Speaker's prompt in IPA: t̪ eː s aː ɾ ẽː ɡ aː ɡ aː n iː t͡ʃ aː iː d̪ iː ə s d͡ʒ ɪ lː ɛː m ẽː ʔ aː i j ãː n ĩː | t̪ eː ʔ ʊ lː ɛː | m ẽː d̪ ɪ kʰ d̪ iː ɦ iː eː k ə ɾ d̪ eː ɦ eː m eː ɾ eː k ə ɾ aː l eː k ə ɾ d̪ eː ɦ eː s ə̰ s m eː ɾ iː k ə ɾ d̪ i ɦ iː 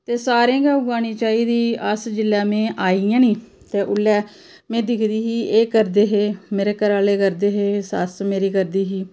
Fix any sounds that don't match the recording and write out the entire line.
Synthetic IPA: t̪ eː s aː ɾ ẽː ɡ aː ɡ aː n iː t͡ʃ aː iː d̪ iː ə s d͡ʒ ɪ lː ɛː m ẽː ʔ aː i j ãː n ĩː | t̪ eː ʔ ʊ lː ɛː | m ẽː d̪ ɪ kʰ d̪ iː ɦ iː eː k ə ɾ d̪ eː ɦ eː m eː ɾ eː k ə ɾ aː l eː k ə ɾ d̪ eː ɦ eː s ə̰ s m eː ɾ iː k ə ɾ d̪ iː ɦ iː